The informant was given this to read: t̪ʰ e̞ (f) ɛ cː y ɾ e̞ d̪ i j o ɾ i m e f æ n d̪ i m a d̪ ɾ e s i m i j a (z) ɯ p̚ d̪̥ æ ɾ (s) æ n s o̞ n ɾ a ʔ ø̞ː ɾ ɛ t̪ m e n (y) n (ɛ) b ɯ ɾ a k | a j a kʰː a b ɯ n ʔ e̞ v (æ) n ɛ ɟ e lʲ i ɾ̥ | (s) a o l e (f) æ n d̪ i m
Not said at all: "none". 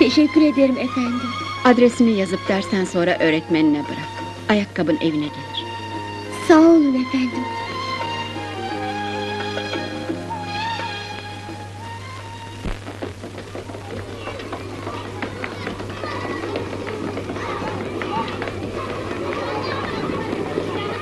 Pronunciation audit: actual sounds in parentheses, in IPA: ʃ, z, s, i, ɛ, i, s, f

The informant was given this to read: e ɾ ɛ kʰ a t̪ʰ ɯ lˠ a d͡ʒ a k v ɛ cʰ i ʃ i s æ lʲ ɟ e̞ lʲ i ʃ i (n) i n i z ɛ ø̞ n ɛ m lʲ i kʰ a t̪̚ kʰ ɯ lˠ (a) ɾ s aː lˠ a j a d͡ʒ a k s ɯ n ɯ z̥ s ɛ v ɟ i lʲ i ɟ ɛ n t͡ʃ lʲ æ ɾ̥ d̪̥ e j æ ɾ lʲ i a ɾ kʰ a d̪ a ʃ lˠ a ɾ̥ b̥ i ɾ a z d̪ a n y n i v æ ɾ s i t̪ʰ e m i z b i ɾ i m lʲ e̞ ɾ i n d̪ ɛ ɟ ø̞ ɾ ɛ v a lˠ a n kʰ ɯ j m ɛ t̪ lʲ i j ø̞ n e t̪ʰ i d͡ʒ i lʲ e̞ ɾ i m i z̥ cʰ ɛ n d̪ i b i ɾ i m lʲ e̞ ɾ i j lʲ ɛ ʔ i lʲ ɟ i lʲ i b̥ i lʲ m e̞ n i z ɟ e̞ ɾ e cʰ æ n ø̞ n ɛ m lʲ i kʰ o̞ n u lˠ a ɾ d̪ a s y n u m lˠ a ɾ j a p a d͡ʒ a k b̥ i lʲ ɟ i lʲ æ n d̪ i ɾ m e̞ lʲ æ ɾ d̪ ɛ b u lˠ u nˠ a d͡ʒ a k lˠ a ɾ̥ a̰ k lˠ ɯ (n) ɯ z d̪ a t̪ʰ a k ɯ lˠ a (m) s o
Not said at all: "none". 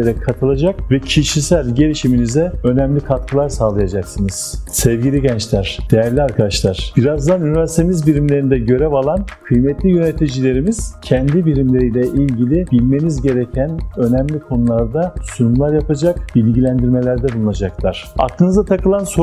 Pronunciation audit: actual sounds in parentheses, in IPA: m, a, n, n

